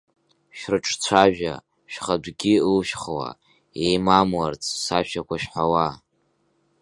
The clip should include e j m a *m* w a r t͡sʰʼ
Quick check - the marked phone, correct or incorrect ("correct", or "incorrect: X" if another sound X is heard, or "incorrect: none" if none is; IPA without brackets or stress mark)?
correct